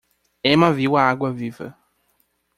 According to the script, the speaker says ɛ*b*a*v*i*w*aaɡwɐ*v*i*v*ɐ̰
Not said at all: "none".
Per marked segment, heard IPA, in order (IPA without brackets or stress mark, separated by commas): m, v, w, v, v